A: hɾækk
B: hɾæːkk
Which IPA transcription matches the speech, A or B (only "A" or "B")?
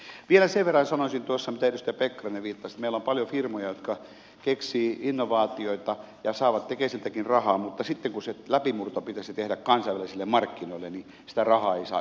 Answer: A